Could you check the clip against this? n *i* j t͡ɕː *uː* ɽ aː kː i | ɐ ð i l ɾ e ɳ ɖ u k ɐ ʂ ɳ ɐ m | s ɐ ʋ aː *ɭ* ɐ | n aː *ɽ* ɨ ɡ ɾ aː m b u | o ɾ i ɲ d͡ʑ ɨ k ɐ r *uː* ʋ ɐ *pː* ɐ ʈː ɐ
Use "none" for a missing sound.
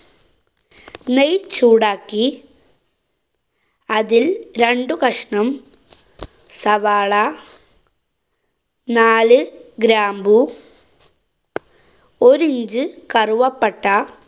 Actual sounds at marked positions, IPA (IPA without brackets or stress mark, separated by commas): e, uː, ɭ, l, u, pː